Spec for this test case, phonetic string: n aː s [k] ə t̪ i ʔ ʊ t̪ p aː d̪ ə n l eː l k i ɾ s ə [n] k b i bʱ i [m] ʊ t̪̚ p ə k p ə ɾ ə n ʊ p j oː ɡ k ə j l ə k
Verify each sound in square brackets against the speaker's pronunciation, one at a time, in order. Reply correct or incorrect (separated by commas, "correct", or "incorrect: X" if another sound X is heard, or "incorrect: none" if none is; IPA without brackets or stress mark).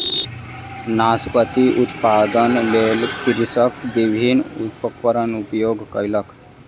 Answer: incorrect: p, incorrect: none, incorrect: n